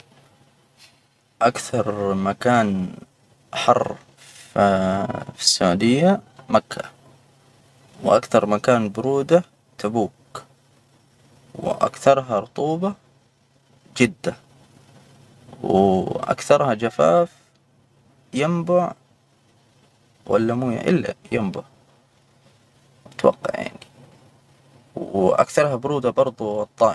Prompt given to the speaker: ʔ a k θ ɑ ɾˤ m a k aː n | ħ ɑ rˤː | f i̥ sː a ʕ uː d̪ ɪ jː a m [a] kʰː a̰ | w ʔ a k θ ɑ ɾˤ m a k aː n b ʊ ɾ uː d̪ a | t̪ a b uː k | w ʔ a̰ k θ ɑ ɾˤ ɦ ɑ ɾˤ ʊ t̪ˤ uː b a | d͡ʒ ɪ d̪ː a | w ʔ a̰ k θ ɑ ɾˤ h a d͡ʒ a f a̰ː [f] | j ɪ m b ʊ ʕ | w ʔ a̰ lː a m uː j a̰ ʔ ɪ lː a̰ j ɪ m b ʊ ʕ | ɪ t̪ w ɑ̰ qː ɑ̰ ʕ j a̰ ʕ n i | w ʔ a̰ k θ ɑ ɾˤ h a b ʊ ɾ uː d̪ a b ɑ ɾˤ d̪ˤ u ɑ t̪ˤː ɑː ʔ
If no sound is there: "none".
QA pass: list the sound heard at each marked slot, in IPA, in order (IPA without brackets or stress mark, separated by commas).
a, f